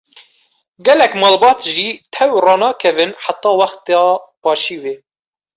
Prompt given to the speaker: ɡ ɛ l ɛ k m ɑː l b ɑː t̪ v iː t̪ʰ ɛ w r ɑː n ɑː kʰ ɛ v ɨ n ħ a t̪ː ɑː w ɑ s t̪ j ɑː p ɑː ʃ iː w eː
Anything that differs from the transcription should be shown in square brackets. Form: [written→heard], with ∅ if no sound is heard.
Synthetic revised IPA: ɡ ɛ l ɛ k m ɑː l b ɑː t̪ [v→ʒ] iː t̪ʰ ɛ w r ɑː n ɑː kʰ ɛ v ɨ n ħ a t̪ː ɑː w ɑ [s→x] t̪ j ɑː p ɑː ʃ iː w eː